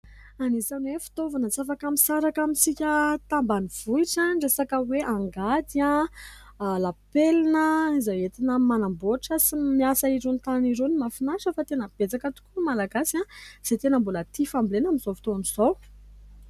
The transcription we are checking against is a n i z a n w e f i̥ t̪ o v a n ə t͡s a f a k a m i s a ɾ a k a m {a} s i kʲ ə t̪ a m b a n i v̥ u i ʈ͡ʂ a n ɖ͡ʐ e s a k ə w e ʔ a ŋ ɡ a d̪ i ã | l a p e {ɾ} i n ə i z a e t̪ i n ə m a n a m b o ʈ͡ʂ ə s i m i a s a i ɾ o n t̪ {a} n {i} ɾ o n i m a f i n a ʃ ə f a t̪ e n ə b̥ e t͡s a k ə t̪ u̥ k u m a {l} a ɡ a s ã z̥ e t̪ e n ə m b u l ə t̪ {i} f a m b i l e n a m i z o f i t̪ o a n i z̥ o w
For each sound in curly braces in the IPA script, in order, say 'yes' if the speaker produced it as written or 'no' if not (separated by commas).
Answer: no, no, yes, yes, yes, yes